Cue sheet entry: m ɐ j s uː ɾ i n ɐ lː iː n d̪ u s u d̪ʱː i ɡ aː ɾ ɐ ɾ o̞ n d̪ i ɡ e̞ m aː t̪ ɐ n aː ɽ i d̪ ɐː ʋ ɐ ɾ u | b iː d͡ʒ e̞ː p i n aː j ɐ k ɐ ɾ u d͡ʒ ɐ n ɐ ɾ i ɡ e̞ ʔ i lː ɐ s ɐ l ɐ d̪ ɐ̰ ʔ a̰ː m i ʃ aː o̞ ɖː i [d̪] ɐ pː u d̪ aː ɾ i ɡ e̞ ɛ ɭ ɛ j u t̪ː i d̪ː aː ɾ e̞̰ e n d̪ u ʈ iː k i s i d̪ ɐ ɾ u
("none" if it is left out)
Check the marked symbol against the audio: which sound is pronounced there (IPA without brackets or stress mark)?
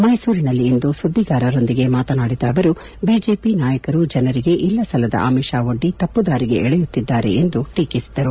t̪